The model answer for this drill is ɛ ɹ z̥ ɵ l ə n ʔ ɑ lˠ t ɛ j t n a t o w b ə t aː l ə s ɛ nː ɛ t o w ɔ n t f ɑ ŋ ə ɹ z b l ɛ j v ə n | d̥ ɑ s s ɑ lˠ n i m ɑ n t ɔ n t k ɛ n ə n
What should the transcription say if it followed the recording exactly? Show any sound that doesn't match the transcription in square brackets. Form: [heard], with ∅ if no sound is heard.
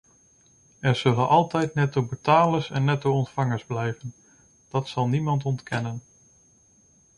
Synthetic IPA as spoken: ɛ ɹ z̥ ɵ l ə n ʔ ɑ lˠ t ɛ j t n [ɛ] t o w b ə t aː l ə s ɛ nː ɛ t o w ɔ n t f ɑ ŋ ə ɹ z b l ɛ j v ə n | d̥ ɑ [t] s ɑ lˠ n i m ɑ n t ɔ n t k ɛ n ə n